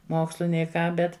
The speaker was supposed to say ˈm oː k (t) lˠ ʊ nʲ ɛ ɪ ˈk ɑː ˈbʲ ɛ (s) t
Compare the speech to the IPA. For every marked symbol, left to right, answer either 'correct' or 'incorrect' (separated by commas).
incorrect, incorrect